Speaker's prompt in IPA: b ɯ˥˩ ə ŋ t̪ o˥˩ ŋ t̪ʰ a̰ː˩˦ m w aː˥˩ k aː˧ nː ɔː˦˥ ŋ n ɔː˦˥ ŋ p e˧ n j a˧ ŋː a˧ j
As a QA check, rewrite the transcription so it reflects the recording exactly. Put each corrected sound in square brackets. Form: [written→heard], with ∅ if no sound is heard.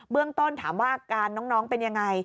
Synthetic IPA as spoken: b ɯ˥˩ ə ŋ t̪ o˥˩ [ŋ→n] t̪ʰ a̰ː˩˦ m w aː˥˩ k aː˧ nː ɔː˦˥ ŋ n ɔː˦˥ ŋ p e˧ n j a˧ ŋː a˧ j